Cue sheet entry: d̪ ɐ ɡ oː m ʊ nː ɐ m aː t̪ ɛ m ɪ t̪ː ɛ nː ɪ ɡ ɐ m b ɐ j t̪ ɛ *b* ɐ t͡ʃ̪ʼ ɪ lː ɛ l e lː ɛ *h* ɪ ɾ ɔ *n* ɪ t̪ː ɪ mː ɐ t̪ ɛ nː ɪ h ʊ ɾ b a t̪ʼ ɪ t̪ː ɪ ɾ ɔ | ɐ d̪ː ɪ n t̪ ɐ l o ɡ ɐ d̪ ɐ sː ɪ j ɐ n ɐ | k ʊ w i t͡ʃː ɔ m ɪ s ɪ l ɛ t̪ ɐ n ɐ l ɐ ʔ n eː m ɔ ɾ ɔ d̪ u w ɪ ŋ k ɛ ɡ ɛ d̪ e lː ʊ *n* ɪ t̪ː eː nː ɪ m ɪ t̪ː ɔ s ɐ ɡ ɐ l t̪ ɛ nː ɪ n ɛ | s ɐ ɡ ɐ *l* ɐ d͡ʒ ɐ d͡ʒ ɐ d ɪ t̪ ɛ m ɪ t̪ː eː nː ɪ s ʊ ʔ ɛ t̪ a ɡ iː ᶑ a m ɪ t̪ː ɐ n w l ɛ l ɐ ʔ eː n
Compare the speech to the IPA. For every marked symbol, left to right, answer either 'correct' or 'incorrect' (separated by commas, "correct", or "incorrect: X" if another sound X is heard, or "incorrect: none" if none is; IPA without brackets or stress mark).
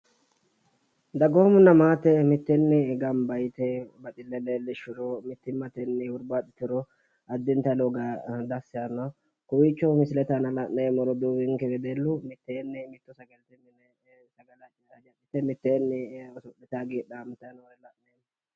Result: correct, incorrect: ʃ, incorrect: m, incorrect: m, correct